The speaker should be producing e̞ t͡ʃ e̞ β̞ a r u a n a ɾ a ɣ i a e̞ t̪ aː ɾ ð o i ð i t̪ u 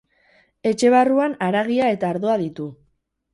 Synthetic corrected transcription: e̞ t͡ʃ e̞ β̞ a r u a n a ɾ a ɣ i a e̞ t̪ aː ɾ ð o a ð i t̪ u